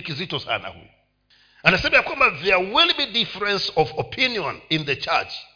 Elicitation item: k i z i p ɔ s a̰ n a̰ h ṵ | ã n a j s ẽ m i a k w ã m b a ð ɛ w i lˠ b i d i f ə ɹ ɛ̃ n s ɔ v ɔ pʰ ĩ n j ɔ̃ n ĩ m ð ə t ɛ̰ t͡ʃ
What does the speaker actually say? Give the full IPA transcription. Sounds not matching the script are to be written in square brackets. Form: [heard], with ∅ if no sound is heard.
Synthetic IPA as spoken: k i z i [t] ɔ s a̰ n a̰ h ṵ | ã n a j s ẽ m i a k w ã m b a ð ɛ w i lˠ b i d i f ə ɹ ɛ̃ n s ɔ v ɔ pʰ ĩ n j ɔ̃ n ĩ [n] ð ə [t͡ʃ] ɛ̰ t͡ʃ